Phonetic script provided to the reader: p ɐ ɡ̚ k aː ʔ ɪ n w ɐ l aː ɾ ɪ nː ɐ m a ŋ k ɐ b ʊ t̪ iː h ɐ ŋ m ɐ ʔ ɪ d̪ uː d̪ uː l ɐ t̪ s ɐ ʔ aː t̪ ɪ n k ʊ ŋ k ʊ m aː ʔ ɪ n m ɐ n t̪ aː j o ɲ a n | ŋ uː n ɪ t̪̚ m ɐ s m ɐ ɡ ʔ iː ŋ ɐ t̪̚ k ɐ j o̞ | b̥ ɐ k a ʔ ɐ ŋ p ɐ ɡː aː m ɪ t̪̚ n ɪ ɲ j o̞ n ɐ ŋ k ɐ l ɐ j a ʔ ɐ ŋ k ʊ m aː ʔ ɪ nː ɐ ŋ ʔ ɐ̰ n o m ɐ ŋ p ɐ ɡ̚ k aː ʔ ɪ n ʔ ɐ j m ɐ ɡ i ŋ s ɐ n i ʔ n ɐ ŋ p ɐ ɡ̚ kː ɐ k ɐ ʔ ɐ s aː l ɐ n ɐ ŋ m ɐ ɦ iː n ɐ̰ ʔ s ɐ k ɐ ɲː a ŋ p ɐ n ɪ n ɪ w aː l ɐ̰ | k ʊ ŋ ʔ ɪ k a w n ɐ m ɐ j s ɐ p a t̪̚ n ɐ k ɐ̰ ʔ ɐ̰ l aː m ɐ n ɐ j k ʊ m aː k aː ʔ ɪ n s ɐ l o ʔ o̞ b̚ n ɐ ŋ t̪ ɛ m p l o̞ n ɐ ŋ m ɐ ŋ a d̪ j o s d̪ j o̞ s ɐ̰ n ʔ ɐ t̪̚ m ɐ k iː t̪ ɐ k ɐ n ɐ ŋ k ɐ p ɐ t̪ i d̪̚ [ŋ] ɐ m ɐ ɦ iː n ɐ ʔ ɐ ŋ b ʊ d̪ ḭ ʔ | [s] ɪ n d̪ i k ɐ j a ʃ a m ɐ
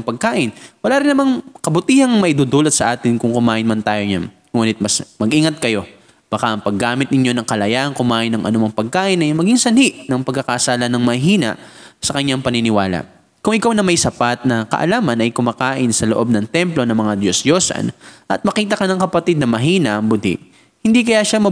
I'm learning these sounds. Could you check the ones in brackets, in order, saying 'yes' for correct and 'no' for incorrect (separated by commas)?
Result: no, no